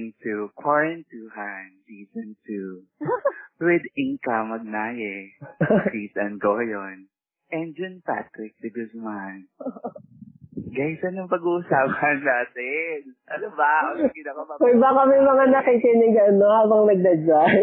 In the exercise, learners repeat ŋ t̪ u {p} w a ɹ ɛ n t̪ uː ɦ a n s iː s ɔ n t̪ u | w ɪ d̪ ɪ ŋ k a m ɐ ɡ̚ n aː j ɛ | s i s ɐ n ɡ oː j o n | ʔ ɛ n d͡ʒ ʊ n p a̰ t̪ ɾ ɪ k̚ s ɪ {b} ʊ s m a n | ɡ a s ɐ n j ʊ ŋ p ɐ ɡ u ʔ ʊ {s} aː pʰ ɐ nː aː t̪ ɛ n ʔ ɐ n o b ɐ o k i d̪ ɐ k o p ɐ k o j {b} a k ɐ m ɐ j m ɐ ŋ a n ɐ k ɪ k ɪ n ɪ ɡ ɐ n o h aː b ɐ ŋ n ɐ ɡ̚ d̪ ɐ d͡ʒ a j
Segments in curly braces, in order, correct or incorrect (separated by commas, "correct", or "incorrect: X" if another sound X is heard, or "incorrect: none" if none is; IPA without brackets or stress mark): incorrect: k, incorrect: ɡ, correct, correct